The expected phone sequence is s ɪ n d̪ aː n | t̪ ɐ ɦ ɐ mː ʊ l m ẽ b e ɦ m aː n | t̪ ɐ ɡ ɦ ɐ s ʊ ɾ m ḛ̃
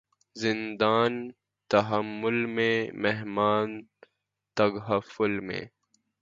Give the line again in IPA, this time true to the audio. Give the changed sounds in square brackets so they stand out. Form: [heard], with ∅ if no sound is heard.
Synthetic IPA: [z] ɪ n d̪ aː n | t̪ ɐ ɦ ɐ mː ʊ l m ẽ [m] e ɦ m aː n | t̪ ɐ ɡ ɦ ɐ [f] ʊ [l] m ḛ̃